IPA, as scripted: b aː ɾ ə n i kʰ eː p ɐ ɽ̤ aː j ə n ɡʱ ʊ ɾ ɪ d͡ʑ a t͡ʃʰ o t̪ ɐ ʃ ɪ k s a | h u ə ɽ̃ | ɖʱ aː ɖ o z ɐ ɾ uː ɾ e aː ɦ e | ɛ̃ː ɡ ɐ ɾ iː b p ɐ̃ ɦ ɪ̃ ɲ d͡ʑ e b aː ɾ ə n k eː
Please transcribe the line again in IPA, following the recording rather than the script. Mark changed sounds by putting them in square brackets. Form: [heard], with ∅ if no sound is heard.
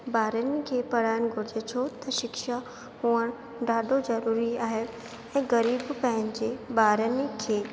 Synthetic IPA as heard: b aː ɾ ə n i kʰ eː p ɐ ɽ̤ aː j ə n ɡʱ ʊ ɾ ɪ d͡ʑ [e] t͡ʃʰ o t̪ ɐ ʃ ɪ k [ʃ] a | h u ə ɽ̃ | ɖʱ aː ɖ o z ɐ ɾ uː ɾ [i] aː ɦ e | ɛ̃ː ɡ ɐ ɾ iː b p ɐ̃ ɦ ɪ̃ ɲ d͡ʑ e b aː ɾ ə n [kʰ] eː

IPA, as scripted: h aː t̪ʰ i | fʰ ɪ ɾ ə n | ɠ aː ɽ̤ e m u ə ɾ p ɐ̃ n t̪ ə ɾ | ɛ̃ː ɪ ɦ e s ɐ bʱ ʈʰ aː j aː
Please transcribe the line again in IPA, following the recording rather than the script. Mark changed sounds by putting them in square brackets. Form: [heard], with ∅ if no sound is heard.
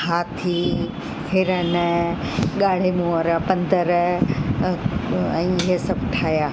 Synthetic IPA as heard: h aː t̪ʰ i | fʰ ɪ ɾ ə n | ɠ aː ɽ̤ e m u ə ɾ p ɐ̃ n [d̪] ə ɾ | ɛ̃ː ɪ ɦ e s ɐ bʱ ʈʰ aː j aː

